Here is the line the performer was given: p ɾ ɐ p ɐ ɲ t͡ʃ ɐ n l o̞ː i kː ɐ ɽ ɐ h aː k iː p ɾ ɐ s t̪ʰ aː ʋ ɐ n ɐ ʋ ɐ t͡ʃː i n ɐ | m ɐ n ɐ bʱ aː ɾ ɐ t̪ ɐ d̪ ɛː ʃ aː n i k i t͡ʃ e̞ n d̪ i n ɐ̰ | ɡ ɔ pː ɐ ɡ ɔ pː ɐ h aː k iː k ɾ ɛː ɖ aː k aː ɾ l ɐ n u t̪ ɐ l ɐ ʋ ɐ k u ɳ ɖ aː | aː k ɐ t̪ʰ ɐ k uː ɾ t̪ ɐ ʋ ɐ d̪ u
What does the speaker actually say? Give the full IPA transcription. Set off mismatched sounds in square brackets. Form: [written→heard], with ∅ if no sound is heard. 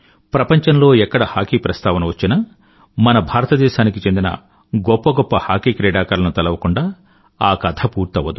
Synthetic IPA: p ɾ ɐ p ɐ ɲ t͡ʃ ɐ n l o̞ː [i→ɛ] kː ɐ ɽ ɐ h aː k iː p ɾ ɐ s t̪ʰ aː ʋ ɐ n ɐ ʋ ɐ t͡ʃː i n ɐ | m ɐ n ɐ bʱ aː ɾ ɐ t̪ ɐ d̪ ɛː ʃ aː n i k i t͡ʃ e̞ n d̪ i n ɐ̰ | ɡ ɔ pː ɐ ɡ ɔ pː ɐ h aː k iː k ɾ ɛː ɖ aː k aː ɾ l ɐ n u t̪ ɐ l ɐ ʋ ɐ k u ɳ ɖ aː | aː k ɐ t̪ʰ ɐ [k→p] uː ɾ t̪ ɐ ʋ ɐ d̪ u